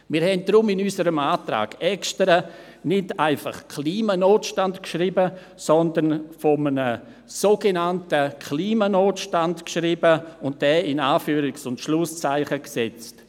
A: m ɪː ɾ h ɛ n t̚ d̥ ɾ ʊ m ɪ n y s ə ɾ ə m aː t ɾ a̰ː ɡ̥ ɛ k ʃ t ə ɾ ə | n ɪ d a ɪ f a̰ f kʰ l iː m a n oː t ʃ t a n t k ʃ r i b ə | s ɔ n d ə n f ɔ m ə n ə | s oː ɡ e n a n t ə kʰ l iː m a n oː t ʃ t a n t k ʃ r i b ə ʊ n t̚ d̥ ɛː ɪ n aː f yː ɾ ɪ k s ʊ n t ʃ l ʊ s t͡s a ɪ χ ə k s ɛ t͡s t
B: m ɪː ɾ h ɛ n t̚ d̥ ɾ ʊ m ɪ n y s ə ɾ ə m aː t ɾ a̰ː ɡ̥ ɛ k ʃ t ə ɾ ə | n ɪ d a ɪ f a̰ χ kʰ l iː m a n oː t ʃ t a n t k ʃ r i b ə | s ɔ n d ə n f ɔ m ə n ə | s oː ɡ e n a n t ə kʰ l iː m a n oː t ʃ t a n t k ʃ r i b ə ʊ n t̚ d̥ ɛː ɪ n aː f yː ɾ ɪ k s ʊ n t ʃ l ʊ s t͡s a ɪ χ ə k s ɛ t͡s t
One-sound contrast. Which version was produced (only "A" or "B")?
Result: B